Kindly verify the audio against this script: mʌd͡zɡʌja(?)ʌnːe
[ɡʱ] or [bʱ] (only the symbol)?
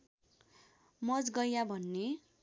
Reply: bʱ